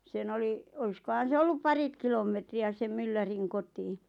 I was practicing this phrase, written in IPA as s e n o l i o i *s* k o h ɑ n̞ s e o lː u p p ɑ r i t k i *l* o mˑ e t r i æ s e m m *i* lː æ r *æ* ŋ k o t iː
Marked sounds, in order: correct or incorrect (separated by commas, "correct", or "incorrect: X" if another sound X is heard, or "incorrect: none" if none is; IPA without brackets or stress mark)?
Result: correct, correct, incorrect: y, incorrect: i